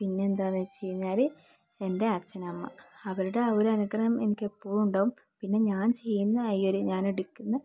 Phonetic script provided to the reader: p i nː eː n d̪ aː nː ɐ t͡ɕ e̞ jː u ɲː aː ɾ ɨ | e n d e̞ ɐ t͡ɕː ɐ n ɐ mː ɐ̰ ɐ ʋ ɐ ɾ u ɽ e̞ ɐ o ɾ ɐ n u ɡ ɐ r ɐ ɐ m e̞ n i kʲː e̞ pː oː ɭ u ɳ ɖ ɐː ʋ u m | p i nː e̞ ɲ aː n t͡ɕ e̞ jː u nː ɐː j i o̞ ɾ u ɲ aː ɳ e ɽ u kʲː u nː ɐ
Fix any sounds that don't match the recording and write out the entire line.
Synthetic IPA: p i nː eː n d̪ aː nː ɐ t͡ɕ e̞ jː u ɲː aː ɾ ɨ | e n d e̞ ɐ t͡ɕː ɐ n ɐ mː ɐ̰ ɐ ʋ ɐ ɾ u ɽ e̞ ɐ o ɾ ɐ n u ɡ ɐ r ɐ ɐ m e̞ n i kʲː e̞ pː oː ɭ u ɳ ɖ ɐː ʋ u m | p i nː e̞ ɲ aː n t͡ɕ e̞ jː u nː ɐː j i o̞ ɾ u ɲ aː n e ɽ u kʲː u nː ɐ